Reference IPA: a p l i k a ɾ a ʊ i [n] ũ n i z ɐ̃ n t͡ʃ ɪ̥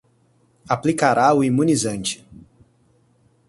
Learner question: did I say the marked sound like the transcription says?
no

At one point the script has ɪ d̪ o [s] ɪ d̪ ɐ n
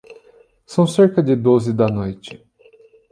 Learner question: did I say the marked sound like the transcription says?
no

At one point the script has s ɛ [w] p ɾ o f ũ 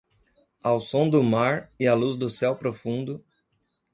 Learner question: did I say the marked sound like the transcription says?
yes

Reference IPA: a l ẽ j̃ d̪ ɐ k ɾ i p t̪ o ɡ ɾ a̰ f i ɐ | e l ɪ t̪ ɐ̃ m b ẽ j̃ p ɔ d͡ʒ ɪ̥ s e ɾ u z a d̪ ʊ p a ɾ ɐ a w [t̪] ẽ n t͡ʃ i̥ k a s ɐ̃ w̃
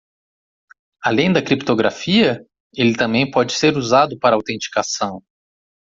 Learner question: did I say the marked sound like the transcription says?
yes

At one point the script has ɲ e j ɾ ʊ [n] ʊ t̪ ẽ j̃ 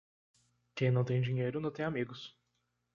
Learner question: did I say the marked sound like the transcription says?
yes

